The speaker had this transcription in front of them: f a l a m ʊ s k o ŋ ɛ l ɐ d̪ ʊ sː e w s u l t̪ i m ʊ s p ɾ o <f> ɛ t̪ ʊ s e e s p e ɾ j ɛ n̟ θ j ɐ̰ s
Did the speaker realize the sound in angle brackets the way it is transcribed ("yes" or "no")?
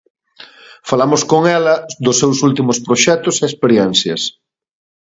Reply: no